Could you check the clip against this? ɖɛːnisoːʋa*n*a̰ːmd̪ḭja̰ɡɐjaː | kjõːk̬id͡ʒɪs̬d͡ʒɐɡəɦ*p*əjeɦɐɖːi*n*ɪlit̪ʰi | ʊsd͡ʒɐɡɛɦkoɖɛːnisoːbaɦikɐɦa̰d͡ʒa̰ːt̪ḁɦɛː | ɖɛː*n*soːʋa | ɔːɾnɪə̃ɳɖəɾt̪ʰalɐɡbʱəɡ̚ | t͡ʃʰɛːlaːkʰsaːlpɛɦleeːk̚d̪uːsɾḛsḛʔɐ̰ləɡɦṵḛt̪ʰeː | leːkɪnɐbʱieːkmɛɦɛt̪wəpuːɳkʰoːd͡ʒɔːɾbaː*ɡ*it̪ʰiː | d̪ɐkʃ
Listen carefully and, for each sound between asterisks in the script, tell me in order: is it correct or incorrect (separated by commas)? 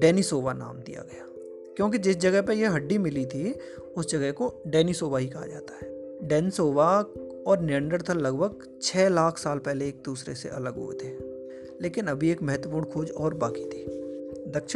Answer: correct, correct, incorrect, correct, incorrect